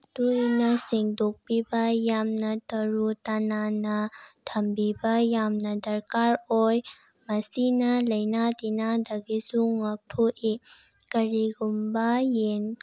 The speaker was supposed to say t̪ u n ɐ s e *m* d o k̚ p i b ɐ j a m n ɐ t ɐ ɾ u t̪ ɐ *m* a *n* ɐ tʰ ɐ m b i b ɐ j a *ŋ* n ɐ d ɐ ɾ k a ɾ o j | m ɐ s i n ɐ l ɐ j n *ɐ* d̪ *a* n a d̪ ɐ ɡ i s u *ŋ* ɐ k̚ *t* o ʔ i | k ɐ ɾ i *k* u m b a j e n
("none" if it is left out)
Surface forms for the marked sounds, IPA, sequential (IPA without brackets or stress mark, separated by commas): ŋ, n, n, m, a, i, ŋ, tʰ, ɡ